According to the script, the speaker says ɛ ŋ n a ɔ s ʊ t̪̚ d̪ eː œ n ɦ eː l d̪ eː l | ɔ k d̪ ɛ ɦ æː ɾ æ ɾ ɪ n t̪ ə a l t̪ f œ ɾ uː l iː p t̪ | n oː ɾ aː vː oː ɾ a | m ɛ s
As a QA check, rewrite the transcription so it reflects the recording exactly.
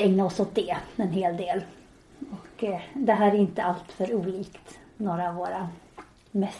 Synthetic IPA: ɛ ŋ n a ɔ s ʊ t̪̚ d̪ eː ɛ n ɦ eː l d̪ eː l | ɔ k d̪ ɛ ɦ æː ɾ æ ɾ ɪ n t̪ ə a l t̪ f œ ɾ uː l iː k t̪ | n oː ɾ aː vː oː ɾ a | m ɛ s